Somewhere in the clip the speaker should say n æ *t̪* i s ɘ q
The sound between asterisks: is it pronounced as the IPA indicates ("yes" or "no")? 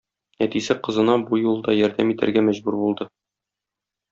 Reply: yes